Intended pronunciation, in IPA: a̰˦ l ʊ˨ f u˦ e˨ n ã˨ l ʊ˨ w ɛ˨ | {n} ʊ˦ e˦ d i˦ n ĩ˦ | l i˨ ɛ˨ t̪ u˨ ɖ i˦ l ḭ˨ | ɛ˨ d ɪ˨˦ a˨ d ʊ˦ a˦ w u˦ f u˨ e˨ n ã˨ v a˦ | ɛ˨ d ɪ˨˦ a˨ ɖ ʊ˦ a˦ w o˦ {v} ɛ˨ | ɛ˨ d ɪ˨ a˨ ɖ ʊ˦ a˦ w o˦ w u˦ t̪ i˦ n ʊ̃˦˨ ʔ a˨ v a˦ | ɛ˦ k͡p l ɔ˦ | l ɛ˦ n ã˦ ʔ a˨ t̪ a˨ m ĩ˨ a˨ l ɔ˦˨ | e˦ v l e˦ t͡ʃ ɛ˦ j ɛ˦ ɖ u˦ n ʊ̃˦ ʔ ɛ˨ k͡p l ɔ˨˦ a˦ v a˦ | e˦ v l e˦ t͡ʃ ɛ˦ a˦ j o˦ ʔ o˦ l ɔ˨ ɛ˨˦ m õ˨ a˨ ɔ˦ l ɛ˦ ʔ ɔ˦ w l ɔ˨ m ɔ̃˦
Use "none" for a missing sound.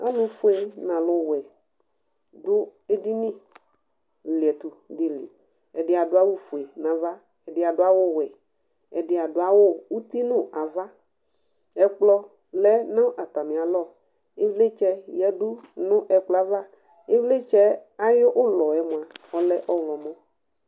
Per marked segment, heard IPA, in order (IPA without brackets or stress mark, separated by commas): d, w